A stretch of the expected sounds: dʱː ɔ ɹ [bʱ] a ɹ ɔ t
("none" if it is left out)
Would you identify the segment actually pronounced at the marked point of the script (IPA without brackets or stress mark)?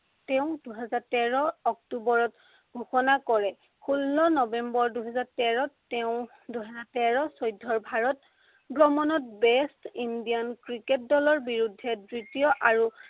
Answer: bʱ